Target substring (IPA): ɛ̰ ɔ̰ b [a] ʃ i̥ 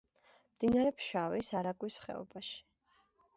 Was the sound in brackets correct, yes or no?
yes